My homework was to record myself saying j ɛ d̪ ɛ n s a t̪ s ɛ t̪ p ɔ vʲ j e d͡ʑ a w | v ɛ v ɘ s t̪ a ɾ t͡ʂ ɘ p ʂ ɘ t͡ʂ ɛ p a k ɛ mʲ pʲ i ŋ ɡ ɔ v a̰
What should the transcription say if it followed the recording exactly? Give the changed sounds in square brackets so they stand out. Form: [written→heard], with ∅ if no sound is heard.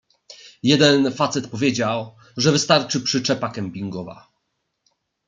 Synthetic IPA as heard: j ɛ d̪ ɛ n [s→f] a t̪ s ɛ t̪ p ɔ vʲ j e d͡ʑ a w | [v→ʐ] ɛ v ɘ s t̪ a ɾ t͡ʂ ɘ p ʂ ɘ t͡ʂ ɛ p a k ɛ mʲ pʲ i ŋ ɡ ɔ v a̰